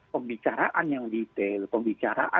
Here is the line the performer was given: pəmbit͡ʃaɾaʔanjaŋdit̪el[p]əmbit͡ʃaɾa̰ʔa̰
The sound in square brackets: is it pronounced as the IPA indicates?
yes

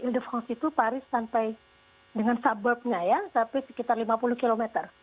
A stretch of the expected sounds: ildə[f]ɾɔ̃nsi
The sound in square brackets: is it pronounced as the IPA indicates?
yes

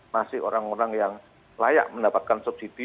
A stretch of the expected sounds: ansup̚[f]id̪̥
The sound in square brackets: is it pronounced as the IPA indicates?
no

